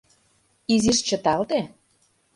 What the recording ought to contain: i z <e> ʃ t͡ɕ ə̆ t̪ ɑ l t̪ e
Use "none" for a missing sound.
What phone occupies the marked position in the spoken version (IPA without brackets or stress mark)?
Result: i